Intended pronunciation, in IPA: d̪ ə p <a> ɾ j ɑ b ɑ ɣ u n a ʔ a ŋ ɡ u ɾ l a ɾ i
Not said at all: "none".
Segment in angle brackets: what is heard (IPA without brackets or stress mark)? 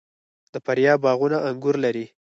a